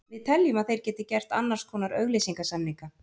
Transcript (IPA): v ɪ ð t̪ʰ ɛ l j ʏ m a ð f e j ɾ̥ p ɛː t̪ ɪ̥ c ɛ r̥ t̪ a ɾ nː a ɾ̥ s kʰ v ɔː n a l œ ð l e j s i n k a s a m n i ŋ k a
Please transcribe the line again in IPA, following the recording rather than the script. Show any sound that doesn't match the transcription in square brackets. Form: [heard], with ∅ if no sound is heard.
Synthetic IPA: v ɪ ð t̪ʰ ɛ l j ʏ m a ð [θ] e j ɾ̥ [c] ɛː t̪ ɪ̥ c ɛ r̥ t̪ a [∅] nː a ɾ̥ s kʰ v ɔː n a [ɾ] œ [ɣ] l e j s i [ŋ] k a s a m n i ŋ k a